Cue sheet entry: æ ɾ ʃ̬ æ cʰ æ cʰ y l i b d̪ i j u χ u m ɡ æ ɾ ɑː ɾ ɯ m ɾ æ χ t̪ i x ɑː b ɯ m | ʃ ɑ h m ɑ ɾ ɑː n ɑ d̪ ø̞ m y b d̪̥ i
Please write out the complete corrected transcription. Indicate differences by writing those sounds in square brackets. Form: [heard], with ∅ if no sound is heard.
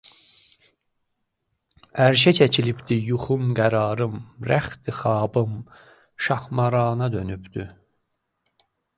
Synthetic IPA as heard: æ ɾ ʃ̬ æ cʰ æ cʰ [i] l i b d̪ i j u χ u m ɡ æ ɾ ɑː ɾ ɯ m ɾ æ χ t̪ i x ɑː b ɯ m | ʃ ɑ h m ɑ ɾ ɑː n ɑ d̪ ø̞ [n] y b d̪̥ [y]